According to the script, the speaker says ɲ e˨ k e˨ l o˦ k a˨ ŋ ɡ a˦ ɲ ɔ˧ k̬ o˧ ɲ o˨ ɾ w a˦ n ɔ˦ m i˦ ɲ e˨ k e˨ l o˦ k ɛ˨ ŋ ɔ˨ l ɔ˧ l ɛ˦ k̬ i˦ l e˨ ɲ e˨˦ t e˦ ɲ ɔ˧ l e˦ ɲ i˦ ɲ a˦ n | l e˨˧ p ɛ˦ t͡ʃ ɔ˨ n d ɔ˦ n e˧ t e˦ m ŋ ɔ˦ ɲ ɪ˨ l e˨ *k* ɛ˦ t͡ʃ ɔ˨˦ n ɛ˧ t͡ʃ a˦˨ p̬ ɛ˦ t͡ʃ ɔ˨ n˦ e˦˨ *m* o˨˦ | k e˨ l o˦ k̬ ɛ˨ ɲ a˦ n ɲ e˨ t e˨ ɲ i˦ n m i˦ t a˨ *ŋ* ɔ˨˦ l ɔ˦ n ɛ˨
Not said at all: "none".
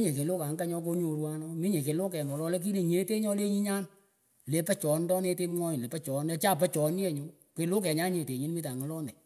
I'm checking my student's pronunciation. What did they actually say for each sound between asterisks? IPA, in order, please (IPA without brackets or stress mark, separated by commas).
p, ɲ, ŋ